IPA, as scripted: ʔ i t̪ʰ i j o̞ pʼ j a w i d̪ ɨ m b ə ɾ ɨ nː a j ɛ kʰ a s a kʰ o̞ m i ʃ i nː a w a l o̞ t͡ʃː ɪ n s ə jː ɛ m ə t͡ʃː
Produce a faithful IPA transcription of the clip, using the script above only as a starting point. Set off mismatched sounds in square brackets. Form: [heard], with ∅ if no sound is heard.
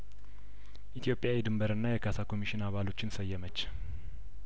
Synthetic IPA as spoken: ʔ i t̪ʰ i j o̞ pʼ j a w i d̪ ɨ m b ə ɾ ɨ nː a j ɛ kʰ a s a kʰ o̞ m i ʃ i [n] a [β] a l o̞ t͡ʃː ɪ n s ə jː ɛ m ə t͡ʃː

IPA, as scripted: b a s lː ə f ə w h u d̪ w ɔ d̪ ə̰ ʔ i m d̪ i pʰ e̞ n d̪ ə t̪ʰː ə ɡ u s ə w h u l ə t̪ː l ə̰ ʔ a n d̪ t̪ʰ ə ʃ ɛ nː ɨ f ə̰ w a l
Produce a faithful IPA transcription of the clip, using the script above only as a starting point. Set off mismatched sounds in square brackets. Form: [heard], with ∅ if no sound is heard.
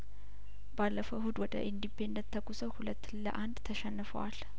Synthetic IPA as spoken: b a [∅] lː ə f ə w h u d̪ w ɔ d̪ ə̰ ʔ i [n] d̪ i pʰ e̞ n d̪ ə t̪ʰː ə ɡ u s ə w h u l ə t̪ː l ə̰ ʔ a n d̪ t̪ʰ ə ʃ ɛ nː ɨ f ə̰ w a l

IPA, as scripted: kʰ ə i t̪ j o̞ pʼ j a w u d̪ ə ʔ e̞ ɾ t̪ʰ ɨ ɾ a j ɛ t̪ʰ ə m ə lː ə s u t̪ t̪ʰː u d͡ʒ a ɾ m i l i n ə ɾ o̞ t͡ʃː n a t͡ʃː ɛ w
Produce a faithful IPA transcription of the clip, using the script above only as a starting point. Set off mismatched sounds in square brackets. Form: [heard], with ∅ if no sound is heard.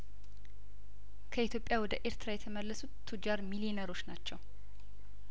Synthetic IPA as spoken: kʰ ə i t̪ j o̞ pʼ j a w [ɔ] d̪ ə ʔ e̞ ɾ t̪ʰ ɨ ɾ a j ɛ t̪ʰ ə m ə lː ə s u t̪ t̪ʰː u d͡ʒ a ɾ m i l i n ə ɾ o̞ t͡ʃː n a t͡ʃː ɛ w

